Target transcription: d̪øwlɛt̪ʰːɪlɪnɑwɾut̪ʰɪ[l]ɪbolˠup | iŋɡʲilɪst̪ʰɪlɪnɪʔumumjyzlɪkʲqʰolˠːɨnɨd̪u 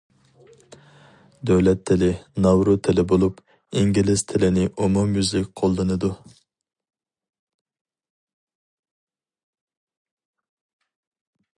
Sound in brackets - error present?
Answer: no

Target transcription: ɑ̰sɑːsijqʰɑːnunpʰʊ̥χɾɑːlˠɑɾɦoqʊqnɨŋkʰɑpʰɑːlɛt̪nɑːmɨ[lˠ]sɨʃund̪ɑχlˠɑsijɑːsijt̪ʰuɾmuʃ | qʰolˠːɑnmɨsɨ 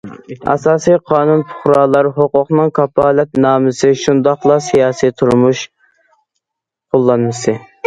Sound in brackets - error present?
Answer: yes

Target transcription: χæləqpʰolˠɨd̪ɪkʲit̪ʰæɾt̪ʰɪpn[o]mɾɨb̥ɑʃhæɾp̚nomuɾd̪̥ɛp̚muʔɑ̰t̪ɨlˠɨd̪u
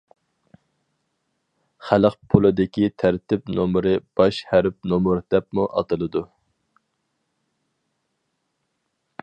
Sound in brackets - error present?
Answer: no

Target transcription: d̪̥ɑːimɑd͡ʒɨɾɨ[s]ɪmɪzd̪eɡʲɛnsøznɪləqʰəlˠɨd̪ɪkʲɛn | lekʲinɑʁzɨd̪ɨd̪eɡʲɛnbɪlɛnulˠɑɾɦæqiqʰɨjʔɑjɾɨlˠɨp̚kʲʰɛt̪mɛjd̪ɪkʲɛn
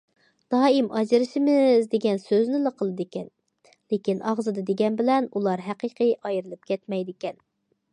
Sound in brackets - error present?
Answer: yes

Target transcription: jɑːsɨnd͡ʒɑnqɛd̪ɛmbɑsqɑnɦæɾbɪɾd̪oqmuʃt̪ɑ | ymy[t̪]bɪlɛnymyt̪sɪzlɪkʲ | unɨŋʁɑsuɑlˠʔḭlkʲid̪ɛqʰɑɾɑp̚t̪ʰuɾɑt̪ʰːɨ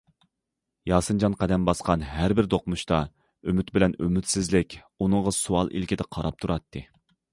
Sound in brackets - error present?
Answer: no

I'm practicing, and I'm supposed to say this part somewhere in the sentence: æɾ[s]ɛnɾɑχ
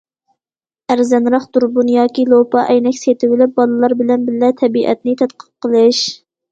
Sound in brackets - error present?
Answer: yes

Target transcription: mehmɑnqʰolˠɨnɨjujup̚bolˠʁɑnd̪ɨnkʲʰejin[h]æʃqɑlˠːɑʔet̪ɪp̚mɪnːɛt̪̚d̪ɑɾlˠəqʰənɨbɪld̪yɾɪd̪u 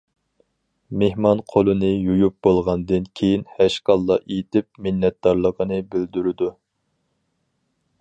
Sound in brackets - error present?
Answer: no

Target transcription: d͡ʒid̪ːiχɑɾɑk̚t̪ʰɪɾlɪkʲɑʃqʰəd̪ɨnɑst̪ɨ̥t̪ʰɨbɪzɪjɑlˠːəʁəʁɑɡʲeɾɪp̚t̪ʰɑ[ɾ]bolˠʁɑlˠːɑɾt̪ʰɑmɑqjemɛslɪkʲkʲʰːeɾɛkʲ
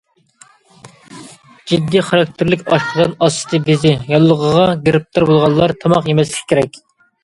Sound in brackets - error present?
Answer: no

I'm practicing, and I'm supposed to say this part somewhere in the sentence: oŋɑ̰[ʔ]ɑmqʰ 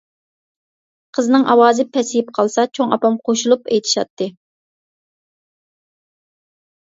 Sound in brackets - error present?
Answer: yes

